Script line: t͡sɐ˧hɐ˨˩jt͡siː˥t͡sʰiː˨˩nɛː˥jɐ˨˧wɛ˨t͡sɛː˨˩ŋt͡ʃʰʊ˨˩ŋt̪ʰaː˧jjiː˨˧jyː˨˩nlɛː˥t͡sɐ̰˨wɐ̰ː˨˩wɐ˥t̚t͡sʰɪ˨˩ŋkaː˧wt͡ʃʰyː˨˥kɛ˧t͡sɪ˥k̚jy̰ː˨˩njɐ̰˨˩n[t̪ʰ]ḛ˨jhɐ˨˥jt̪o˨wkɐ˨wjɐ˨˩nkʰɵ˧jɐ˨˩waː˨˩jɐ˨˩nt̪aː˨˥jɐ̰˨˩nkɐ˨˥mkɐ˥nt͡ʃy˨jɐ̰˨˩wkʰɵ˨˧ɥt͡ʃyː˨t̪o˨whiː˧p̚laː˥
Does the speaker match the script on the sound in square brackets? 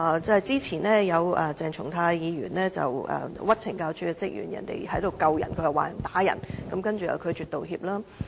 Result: no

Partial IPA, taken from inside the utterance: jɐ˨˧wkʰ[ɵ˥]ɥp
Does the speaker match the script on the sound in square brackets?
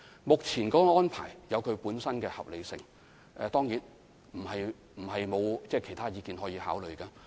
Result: no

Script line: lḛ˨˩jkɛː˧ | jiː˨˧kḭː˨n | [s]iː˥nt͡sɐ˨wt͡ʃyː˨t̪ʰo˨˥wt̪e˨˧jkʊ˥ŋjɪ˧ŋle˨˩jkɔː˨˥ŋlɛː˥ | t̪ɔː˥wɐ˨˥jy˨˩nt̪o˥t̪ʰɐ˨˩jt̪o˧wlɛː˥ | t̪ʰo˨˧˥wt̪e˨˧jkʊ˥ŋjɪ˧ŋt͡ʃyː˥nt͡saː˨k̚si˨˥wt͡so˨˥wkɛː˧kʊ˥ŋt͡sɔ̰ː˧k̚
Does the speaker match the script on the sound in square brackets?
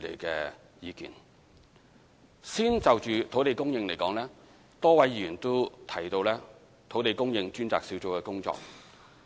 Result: yes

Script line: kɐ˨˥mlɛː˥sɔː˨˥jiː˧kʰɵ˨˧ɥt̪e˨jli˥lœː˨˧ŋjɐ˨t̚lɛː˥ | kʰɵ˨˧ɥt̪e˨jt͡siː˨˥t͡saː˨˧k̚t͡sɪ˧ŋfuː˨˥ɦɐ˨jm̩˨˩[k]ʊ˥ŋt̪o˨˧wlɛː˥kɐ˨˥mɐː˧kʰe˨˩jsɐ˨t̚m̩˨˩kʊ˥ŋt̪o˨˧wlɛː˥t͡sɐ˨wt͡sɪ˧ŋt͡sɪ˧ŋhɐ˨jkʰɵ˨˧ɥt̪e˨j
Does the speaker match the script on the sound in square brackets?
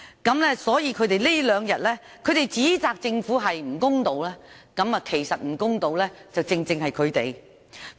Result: yes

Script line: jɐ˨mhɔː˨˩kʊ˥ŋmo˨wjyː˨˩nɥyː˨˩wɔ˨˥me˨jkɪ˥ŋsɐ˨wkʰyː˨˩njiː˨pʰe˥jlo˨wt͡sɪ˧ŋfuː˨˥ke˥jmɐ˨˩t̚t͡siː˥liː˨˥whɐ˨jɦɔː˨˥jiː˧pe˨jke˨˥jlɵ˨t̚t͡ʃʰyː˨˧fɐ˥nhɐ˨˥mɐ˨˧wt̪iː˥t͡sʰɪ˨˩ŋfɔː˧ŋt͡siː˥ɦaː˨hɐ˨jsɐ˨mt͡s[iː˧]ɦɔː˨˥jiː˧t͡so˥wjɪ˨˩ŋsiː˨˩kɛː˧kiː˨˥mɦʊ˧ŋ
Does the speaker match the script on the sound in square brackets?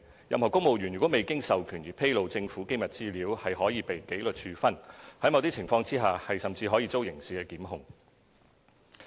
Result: yes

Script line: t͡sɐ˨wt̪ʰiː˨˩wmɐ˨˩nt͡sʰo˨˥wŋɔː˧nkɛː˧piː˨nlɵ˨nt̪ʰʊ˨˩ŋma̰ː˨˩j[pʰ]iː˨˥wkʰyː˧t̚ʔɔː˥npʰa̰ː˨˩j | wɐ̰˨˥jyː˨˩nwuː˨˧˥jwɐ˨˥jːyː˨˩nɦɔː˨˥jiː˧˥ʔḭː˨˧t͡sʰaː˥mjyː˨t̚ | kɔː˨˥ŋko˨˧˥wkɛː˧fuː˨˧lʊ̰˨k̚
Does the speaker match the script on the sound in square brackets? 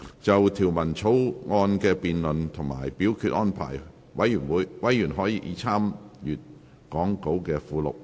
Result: no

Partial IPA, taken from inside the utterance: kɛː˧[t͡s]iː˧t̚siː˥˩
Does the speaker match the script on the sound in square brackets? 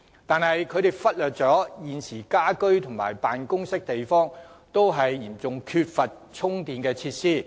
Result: no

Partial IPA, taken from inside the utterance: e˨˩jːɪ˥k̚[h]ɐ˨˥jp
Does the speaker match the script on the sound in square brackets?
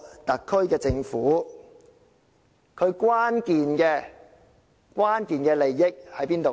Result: yes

